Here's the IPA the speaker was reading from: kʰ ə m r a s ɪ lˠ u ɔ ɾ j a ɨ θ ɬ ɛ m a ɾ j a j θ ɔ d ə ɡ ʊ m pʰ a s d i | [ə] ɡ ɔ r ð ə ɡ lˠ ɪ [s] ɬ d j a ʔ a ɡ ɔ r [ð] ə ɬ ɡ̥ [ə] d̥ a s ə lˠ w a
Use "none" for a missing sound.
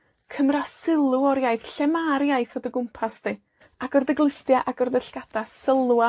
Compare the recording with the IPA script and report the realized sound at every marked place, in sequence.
a, none, ð, a

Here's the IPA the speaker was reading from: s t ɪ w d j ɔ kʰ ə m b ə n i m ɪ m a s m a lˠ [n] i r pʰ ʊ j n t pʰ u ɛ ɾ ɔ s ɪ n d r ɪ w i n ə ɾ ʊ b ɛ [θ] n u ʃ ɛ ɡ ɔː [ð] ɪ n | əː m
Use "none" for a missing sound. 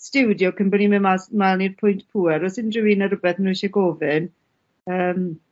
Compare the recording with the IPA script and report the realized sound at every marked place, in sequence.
n, θ, v

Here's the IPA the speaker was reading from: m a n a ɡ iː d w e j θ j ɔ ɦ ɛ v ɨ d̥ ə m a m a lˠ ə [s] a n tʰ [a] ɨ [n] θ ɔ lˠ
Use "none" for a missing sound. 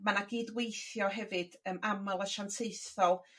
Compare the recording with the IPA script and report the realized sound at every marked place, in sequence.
ʃ, e, none

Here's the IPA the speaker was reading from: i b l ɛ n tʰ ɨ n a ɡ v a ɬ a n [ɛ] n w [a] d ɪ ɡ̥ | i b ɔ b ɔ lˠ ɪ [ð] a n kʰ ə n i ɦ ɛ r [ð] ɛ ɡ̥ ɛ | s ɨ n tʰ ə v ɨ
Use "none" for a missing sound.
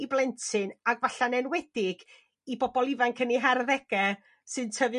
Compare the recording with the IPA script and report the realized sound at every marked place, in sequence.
ɛ, ɛ, v, ð

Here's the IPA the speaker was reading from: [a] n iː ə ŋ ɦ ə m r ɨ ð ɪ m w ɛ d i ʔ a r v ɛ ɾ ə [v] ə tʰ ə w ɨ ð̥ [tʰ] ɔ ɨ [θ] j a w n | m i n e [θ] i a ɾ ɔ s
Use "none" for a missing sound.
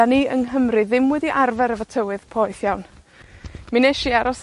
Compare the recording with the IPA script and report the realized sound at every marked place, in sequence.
a, v, pʰ, θ, ʃ

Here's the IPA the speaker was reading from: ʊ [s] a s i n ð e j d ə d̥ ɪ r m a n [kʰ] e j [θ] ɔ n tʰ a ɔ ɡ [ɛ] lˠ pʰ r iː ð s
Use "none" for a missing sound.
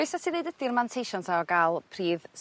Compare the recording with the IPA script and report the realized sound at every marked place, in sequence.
s, tʰ, ʃ, a

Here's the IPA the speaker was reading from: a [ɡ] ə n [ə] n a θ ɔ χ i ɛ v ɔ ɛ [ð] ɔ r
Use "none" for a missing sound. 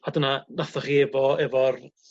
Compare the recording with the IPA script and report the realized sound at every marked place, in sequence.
d, a, v

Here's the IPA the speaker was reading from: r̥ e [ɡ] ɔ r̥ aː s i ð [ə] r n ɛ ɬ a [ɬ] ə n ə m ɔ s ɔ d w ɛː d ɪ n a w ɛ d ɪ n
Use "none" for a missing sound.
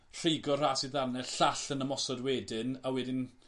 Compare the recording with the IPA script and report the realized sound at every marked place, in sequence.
ɡ, a, ɬ

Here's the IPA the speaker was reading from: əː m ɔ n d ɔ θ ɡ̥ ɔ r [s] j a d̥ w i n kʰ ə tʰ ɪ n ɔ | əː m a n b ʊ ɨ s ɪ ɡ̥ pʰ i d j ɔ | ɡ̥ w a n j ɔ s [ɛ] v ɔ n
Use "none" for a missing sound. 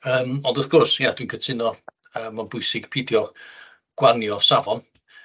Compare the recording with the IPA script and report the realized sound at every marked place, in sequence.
s, a

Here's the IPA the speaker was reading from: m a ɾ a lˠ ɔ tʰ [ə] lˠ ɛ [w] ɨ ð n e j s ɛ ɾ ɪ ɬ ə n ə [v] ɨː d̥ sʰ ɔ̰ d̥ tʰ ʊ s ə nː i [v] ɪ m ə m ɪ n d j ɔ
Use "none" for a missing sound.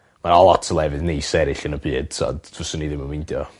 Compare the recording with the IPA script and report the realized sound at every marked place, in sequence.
ə, v, b, ð

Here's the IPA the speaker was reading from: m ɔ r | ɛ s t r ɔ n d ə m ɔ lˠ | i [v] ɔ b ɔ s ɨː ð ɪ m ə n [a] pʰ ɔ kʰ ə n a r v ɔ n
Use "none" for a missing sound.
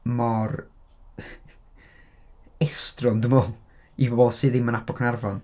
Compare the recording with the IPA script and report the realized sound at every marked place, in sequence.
b, a

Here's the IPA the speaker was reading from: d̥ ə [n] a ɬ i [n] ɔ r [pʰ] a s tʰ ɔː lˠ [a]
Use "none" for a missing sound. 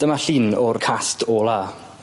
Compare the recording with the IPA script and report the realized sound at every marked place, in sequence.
m, n, kʰ, a

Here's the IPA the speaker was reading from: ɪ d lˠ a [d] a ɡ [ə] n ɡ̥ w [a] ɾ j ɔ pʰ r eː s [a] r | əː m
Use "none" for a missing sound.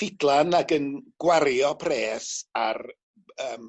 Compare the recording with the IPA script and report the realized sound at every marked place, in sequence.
n, ə, a, a

